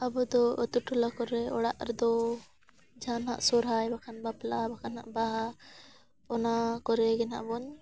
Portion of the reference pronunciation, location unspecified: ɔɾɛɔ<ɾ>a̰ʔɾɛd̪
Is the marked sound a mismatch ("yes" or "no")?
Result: yes